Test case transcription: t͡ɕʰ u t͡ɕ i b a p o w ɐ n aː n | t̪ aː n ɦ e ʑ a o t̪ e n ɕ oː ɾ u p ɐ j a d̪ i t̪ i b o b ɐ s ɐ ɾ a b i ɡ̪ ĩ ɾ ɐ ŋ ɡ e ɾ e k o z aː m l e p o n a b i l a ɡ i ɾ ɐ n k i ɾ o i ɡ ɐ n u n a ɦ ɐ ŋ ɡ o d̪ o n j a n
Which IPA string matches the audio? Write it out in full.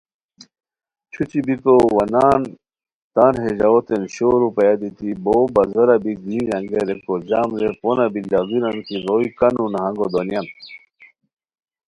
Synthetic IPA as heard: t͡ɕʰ u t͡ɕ i b i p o w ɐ n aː n | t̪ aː n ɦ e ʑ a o t̪ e n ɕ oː ɾ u p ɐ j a d̪ i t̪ i b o b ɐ z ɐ ɾ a b i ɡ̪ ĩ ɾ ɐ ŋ ɡ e ɾ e k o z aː m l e p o n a b i l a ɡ i ɾ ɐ n k i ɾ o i k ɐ n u n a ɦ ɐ ŋ ɡ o d̪ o n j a n